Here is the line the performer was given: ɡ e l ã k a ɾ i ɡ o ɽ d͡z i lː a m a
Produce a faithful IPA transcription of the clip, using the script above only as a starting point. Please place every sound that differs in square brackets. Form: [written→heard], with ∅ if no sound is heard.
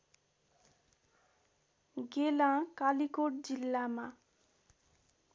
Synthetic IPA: ɡ e l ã k a [ɾ→l] i [ɡ→k] o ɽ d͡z i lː a m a